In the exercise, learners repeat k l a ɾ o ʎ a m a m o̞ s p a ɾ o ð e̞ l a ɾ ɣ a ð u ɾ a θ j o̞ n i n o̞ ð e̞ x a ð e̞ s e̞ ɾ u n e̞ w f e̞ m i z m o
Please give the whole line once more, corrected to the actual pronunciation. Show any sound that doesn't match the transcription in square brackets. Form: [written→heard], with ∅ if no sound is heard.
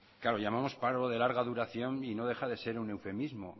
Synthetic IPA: k l a ɾ o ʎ a m a m o̞ s p a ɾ o ð e̞ l a ɾ ɣ a ð u ɾ a θ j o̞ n i n o̞ ð e̞ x a ð e̞ s e̞ ɾ u n e̞ w f e̞ m i z m o